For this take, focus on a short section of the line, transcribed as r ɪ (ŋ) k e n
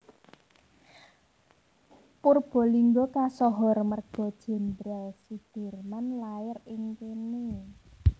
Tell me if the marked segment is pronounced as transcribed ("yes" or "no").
yes